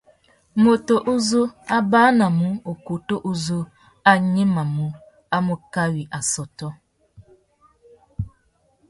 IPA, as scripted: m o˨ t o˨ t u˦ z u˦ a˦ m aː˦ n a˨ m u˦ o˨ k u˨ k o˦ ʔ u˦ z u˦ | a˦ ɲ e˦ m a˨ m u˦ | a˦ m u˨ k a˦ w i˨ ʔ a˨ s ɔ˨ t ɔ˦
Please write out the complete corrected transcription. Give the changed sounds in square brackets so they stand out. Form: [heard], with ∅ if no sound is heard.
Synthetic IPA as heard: m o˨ t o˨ [ʔ] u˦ z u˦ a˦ [b] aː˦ n a˨ m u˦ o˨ k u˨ [t] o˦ ʔ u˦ z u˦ | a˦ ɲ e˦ m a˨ m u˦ | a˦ m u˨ k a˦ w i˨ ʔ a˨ s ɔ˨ t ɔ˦